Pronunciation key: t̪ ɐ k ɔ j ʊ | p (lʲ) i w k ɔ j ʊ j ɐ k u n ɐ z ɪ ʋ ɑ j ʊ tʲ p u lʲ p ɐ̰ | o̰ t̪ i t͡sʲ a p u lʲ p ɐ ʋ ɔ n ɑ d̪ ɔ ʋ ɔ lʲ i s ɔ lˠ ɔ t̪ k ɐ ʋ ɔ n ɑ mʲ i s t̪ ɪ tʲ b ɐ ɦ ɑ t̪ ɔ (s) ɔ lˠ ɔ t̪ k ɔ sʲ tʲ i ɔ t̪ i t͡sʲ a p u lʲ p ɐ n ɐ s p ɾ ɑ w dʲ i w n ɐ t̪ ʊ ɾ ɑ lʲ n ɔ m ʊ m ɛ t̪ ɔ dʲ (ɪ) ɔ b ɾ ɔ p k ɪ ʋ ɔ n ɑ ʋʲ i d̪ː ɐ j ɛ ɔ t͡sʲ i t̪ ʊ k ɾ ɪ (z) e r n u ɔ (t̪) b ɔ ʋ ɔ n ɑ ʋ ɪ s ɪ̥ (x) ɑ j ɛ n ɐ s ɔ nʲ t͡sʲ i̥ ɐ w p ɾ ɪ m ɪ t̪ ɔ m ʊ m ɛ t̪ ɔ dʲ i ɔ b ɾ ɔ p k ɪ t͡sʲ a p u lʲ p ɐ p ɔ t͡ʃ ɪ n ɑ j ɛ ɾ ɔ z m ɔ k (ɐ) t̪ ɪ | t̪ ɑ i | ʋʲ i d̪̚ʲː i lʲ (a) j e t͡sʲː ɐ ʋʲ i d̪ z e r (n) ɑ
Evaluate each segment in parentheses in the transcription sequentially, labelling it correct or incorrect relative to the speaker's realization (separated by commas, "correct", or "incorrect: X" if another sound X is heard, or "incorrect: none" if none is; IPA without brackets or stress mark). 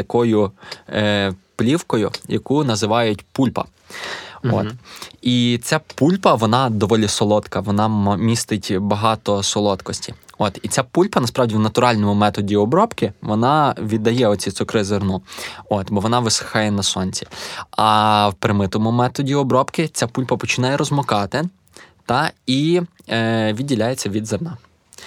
correct, correct, incorrect: i, correct, correct, correct, incorrect: ɑ, correct, correct